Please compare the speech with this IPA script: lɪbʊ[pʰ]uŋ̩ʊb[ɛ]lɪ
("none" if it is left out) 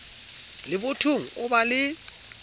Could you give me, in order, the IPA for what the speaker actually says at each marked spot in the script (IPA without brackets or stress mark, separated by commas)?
tʰ, a